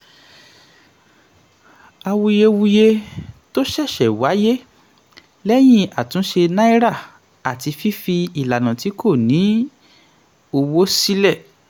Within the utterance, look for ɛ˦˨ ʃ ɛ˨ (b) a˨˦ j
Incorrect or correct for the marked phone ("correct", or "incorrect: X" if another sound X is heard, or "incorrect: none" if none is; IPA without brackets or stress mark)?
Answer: incorrect: w